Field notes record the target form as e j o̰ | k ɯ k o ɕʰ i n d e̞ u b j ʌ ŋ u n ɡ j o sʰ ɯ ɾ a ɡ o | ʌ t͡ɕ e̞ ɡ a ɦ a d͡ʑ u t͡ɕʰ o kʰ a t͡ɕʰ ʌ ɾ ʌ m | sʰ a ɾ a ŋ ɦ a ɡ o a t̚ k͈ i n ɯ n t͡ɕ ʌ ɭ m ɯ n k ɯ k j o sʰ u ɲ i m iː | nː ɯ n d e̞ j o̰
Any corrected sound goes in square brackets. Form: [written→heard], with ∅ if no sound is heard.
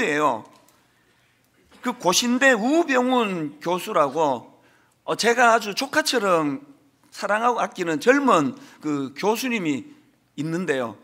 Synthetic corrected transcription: e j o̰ | k ɯ k o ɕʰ i n d e̞ u b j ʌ ŋ u n [ɡ→k] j o sʰ [ɯ→u] ɾ a ɡ o | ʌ t͡ɕ e̞ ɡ a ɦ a d͡ʑ u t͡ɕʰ o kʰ a t͡ɕʰ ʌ ɾ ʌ m | sʰ a ɾ a ŋ ɦ a ɡ o a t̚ k͈ i n ɯ n t͡ɕ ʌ ɭ m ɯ n k ɯ k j o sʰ u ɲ i m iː | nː ɯ n d e̞ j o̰